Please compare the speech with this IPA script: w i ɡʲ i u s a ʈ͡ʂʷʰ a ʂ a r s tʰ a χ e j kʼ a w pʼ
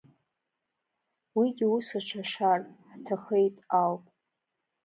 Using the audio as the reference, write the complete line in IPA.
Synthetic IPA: w i ɡʲ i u s a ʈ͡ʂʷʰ a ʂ a r ħ tʰ a χ e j tʼ a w pʼ

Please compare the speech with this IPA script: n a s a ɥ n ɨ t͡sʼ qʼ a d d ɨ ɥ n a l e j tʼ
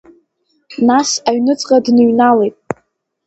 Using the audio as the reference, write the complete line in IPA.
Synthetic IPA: n a s a ɥ n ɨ t͡sʼ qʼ a d n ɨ ɥ n a l e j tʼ

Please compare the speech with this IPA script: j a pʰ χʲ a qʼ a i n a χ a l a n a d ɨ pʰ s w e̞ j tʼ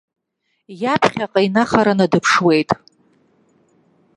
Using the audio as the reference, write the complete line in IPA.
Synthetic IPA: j a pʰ χʲ a qʼ a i n a χ a ɾ a n a d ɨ pʰ ʂ w e̞ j tʼ

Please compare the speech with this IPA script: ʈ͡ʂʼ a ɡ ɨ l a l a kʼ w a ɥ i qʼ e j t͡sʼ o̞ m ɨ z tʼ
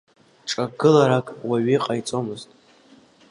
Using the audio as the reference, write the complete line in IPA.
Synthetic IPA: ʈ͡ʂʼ a ɡ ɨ l a ɾ a kʼ w a ɥ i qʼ a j t͡sʼ o̞ m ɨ z tʼ

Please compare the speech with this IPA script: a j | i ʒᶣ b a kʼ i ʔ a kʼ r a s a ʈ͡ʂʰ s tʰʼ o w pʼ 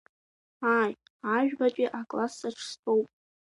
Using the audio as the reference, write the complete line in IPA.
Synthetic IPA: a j | a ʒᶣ b a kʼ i ʔ a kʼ l a s a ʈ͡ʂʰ s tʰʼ o w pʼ

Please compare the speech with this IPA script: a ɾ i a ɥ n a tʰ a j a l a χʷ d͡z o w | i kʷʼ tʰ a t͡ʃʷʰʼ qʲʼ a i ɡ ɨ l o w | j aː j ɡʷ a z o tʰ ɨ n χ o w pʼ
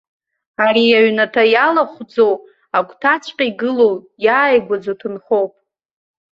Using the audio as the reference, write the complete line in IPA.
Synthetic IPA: a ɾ i a ɥ n a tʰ a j a l a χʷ d͡z o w | a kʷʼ tʰ a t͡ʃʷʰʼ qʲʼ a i ɡ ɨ l o w | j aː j ɡʷ a d͡z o tʰ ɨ n χ o w pʼ

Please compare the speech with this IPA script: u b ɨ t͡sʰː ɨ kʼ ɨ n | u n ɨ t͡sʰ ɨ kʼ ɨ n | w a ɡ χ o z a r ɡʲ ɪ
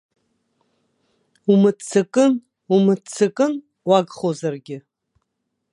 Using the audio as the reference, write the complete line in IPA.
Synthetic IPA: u m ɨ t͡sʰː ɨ kʼ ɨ n | u m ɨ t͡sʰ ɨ kʼ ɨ n | w a ɡ χ o z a r ɡʲ ɪ

